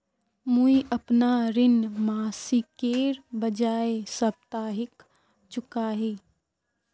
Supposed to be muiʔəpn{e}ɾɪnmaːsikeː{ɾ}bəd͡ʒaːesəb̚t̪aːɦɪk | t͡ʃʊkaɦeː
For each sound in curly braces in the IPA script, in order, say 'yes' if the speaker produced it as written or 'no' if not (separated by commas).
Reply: no, yes